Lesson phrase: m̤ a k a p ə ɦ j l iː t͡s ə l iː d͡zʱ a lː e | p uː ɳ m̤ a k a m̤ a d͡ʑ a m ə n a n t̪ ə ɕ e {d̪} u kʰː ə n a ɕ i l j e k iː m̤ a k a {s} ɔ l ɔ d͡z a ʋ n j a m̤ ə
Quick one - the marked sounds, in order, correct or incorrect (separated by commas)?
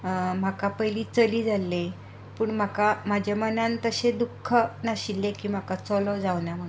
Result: correct, incorrect